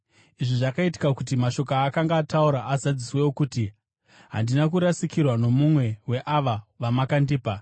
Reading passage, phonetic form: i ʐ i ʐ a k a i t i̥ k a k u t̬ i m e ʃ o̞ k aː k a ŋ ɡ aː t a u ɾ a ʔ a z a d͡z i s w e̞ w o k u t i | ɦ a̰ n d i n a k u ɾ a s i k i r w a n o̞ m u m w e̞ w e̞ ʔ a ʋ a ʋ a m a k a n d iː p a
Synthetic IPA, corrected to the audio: i ʐ i ʐ a k a i t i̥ k a k u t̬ i m a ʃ o̞ k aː k a ŋ ɡ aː t a u ɾ a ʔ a z a d͡z i s w e̞ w o k u t i | ɦ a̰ n d i n a k u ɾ a s i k i r w a n o̞ m u m w e̞ w e̞ ʔ a ʋ a ʋ a m a k a n d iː p a